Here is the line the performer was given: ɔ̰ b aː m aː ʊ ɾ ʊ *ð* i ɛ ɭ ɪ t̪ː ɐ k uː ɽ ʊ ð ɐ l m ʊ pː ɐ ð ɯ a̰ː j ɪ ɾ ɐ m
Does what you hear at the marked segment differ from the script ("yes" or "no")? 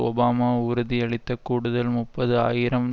no